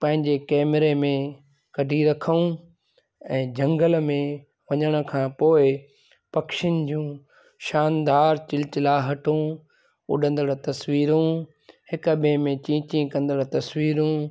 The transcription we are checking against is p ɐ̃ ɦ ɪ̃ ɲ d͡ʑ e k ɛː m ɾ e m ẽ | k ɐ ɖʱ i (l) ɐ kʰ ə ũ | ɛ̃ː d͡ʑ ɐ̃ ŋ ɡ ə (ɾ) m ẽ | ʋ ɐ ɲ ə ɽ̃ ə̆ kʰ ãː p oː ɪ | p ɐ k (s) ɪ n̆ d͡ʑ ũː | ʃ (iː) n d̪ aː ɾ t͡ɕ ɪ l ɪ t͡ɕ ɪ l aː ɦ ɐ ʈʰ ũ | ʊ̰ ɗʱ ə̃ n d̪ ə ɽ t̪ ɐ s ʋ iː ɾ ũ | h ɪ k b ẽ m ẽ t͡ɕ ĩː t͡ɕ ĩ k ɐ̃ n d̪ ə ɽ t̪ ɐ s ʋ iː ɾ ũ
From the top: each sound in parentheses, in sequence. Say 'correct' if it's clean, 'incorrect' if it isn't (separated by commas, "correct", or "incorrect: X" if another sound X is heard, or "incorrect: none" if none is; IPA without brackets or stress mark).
incorrect: ɾ, incorrect: l, incorrect: ʃ, incorrect: aː